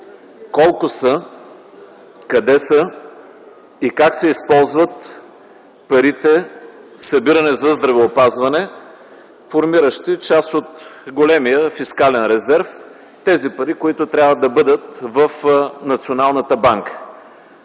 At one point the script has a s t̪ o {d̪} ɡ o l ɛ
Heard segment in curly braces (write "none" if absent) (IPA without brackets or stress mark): t̪